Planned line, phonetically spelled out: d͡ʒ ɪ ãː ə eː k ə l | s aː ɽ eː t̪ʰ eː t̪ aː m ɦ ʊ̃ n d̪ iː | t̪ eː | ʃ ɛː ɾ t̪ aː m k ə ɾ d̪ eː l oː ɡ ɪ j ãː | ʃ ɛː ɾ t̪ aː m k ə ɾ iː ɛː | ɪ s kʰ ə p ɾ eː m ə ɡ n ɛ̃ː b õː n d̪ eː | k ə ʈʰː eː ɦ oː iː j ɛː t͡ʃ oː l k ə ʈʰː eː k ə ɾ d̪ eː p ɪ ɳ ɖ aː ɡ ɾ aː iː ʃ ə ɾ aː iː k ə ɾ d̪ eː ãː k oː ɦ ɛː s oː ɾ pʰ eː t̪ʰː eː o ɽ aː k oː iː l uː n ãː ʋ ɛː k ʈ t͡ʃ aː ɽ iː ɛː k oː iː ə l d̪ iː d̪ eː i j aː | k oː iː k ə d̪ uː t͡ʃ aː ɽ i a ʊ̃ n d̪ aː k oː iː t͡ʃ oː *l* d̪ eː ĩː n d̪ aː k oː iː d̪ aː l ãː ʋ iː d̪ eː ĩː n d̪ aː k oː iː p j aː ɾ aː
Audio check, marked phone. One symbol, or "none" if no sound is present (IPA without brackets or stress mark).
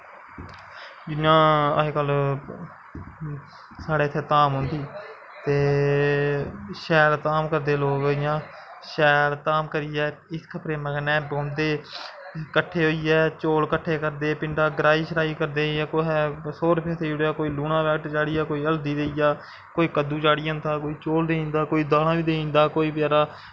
l